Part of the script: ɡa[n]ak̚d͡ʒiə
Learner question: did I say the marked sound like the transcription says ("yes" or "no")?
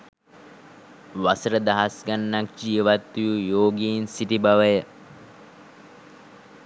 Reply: no